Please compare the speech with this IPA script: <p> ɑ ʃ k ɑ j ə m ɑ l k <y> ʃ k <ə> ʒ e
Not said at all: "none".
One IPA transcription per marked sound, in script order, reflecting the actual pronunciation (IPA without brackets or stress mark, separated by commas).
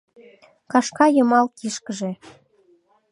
k, i, ə